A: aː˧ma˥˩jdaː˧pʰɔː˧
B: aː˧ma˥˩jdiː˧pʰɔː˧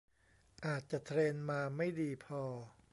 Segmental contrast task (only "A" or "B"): B